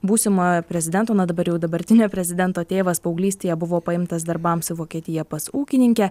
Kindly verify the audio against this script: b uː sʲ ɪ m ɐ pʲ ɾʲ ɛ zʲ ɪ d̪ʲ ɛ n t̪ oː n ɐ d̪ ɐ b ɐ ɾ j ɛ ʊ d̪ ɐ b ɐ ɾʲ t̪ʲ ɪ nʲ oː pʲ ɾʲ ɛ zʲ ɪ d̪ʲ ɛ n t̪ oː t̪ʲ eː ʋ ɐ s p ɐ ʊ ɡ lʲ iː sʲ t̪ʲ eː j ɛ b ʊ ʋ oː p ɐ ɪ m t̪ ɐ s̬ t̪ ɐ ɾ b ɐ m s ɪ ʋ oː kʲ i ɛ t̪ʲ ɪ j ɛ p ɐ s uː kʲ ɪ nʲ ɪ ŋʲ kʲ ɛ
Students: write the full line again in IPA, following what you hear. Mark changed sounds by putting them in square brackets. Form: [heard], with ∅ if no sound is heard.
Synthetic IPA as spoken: b uː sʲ ɪ m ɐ pʲ ɾʲ ɛ zʲ ɪ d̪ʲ ɛ n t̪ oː n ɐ d̪ ɐ b ɐ ɾ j ɛ ʊ d̪ ɐ b ɐ ɾʲ t̪ʲ ɪ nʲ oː pʲ ɾʲ ɛ zʲ ɪ d̪ʲ ɛ n t̪ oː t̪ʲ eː ʋ ɐ s p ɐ ʊ ɡ lʲ iː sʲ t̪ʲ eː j ɛ b ʊ ʋ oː p ɐ ɪ m t̪ ɐ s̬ [d̪] ɐ ɾ b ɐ m s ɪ ʋ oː kʲ i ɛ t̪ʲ ɪ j ɛ p ɐ s uː kʲ ɪ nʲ ɪ ŋʲ kʲ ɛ